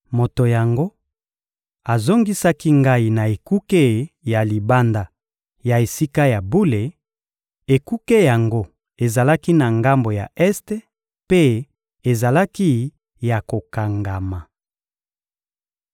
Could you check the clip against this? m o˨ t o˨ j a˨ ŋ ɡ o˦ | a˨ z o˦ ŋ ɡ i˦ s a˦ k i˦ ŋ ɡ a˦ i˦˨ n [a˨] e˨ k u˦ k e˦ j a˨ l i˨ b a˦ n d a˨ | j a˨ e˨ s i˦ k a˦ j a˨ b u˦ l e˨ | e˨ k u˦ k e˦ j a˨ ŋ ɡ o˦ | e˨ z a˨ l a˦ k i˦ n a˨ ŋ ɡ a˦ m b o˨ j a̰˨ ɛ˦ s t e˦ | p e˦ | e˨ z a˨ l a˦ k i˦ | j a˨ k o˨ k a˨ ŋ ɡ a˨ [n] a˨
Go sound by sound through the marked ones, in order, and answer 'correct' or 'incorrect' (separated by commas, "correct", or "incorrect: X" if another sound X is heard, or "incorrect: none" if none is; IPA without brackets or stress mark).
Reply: correct, incorrect: m